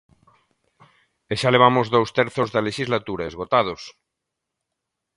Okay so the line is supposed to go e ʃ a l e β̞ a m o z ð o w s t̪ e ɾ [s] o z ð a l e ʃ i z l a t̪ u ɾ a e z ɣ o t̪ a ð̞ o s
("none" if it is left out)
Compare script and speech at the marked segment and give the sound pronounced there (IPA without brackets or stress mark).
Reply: θ